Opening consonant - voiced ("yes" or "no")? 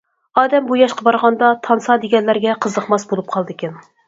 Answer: yes